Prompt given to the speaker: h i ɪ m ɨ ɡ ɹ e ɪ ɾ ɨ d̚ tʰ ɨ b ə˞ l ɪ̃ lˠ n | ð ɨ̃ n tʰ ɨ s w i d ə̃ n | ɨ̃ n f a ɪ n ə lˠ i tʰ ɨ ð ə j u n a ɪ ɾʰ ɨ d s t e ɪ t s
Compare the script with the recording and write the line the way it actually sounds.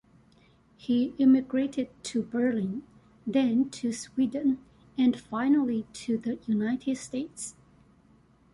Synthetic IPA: h i ɪ m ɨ ɡ ɹ e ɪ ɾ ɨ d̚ tʰ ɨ b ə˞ l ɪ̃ n | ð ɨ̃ n tʰ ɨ s w i d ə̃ n | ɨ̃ n f a ɪ n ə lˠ i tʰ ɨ ð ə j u n a ɪ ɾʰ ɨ d s t e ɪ t s